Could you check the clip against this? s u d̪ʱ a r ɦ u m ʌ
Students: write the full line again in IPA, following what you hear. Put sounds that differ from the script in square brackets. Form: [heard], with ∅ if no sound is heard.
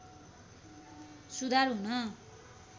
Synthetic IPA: s u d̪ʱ a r ɦ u [n] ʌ